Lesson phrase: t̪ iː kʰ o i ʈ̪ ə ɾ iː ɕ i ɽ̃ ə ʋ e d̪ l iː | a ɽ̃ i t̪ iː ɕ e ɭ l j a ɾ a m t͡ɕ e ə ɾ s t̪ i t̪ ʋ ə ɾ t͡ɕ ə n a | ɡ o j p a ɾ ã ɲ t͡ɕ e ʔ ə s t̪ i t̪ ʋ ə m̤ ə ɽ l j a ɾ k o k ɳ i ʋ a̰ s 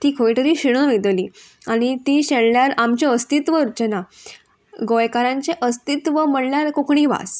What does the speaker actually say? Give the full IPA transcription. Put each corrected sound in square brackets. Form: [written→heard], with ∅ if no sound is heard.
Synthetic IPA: t̪ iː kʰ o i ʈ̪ ə ɾ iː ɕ i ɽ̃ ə ʋ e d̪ l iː | a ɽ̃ i t̪ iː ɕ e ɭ l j a ɾ a m t͡ɕ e ə [ɾ→∅] s t̪ i t̪ ʋ ə ɾ t͡ɕ ə n a | ɡ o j [p→k] a ɾ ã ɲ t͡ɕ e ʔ ə s t̪ i t̪ ʋ ə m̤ ə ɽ l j a ɾ k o k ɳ i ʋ a̰ s